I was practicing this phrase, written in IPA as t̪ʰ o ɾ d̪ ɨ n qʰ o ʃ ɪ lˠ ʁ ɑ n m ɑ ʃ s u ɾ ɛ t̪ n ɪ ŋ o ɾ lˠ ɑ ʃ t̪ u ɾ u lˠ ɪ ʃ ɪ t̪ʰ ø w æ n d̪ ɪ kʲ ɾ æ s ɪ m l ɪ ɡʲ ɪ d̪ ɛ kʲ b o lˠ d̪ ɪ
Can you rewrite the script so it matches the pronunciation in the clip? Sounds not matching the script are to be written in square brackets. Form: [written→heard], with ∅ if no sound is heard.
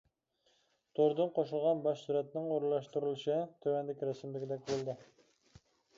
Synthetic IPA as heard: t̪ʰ o ɾ d̪ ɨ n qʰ o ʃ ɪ lˠ ʁ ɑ n [m→b] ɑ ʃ s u ɾ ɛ t̪ n ɪ ŋ o ɾ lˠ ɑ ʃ t̪ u ɾ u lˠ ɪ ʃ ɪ t̪ʰ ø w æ n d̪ ɪ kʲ ɾ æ s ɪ m l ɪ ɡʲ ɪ d̪ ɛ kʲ b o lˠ d̪ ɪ

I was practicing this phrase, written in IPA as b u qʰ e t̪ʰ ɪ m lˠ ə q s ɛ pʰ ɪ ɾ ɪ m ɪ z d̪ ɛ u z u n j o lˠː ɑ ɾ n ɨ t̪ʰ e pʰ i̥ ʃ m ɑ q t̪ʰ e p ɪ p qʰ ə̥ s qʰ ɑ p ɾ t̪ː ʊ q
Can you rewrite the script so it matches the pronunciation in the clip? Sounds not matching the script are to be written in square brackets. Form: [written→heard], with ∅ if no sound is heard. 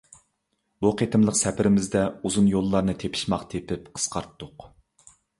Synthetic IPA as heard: b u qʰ e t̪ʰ ɪ m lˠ ə q s ɛ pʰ ɪ ɾ ɪ m ɪ z d̪ ɛ u z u n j o lˠː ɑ ɾ n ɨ t̪ʰ e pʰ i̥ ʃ m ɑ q t̪ʰ e p ɪ p qʰ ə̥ s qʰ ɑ [p→∅] ɾ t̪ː ʊ q

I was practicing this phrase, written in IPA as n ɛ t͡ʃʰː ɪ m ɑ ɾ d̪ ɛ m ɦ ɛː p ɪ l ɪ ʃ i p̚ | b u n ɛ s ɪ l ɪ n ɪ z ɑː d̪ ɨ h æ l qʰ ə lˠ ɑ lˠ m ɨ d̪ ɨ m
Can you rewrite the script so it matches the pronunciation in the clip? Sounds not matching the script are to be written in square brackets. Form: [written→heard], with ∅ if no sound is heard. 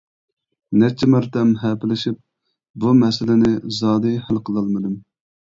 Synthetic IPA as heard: n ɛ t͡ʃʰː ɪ m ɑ ɾ [d̪→t̪] ɛ m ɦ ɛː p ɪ l ɪ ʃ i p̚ | b u [n→m] ɛ s ɪ l ɪ n ɪ z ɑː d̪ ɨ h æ l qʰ ə lˠ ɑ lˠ m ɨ d̪ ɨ m

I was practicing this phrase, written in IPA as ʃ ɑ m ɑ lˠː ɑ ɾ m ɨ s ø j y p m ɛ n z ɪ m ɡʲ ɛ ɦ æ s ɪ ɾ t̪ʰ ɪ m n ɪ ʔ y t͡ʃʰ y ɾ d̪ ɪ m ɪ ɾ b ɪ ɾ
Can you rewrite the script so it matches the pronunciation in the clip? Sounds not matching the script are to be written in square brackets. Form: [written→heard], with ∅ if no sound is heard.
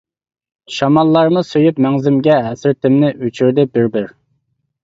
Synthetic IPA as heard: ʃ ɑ m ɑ lˠː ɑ ɾ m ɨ s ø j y p m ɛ [n→ŋ] z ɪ m ɡʲ ɛ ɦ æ s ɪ ɾ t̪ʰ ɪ m n ɪ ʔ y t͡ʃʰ y ɾ d̪ ɪ [m→b] ɪ ɾ b ɪ ɾ

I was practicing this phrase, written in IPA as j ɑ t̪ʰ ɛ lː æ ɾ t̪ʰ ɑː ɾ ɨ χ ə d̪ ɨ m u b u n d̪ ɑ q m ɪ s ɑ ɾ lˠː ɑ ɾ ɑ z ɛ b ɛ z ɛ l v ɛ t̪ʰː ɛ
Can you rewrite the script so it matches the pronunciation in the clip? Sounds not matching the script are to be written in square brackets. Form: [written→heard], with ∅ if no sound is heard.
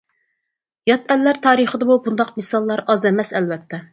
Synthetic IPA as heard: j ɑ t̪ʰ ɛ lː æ ɾ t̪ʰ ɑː ɾ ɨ χ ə d̪ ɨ m u b u n d̪ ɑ q m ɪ s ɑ [ɾ→∅] lˠː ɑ ɾ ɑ z ɛ [b→m] ɛ [z→s] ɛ l v ɛ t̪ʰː ɛ

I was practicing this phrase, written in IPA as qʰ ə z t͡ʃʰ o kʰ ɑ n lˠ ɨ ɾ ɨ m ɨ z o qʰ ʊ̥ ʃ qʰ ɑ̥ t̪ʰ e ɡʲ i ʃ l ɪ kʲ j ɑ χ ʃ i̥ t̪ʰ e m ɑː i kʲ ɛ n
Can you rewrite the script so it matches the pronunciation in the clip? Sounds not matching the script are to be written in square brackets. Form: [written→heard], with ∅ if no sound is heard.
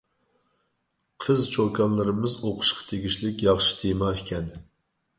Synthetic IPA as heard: qʰ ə z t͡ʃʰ o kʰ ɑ n lˠ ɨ ɾ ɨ m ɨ z o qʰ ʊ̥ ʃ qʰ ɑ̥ t̪ʰ e ɡʲ i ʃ l ɪ kʲ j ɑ χ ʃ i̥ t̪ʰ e m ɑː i kʲ ɛ n

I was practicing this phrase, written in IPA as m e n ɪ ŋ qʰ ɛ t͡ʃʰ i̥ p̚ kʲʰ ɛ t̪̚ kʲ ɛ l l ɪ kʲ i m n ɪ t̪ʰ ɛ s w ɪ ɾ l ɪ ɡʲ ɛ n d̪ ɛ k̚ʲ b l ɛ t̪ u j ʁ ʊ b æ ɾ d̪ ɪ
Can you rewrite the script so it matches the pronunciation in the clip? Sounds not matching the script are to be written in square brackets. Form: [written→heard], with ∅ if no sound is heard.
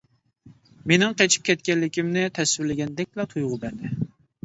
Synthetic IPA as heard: m e n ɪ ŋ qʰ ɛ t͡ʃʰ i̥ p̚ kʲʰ ɛ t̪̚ kʲ ɛ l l ɪ kʲ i m n ɪ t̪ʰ ɛ s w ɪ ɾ l ɪ ɡʲ ɛ n d̪ ɛ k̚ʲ b l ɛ [t̪→t̪ʰ] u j ʁ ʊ b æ ɾ d̪ ɪ

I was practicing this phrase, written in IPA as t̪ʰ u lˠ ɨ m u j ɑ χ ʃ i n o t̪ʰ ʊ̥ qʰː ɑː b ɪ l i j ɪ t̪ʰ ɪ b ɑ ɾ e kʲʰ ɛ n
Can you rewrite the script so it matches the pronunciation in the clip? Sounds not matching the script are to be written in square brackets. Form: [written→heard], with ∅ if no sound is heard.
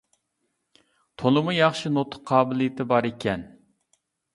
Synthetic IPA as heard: t̪ʰ [u→o] lˠ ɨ m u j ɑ χ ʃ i n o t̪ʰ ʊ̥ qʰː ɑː b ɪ l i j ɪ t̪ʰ ɪ b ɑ ɾ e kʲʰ ɛ n

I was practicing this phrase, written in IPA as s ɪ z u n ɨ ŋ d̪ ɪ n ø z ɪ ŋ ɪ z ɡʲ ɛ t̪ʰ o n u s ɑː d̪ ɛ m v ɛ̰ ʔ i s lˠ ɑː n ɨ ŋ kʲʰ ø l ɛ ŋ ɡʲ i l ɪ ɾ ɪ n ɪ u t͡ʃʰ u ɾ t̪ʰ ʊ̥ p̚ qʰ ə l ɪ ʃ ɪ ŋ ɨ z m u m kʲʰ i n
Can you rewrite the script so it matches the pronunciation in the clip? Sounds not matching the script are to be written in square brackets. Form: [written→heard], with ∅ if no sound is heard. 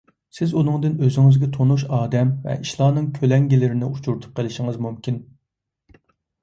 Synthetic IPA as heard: s ɪ z u n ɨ ŋ d̪ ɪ n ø z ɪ ŋ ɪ z ɡʲ ɛ t̪ʰ o n u [s→ʃ] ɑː d̪ ɛ m v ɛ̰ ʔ i [s→ʃ] lˠ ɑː n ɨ ŋ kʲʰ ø l ɛ ŋ ɡʲ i l ɪ ɾ ɪ n ɪ u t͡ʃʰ u ɾ t̪ʰ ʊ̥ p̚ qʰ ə l ɪ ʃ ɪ ŋ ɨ z m u m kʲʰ i n

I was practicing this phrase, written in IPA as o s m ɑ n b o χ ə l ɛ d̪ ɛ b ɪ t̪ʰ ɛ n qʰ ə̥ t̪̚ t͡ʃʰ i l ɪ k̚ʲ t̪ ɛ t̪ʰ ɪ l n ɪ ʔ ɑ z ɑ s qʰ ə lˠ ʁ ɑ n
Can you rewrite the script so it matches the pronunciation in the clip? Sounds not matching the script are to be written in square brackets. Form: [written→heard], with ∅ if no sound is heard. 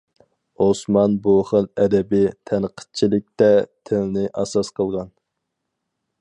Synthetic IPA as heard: o s m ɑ n b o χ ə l ɛ d̪ ɛ b ɪ t̪ʰ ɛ n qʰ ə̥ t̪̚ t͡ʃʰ i l ɪ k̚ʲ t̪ ɛ t̪ʰ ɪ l n ɪ ʔ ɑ [z→s] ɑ s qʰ ə lˠ ʁ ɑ n

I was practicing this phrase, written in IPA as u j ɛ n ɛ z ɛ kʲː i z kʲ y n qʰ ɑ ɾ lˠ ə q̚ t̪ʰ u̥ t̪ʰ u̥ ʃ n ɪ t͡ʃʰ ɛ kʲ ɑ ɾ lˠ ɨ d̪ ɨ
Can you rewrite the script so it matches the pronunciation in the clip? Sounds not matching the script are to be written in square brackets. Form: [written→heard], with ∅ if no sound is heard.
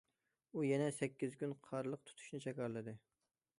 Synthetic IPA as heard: u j ɛ n ɛ [z→s] ɛ kʲː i z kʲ y n qʰ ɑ ɾ lˠ ə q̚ t̪ʰ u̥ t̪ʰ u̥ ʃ n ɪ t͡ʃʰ ɛ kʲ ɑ ɾ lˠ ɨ d̪ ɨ

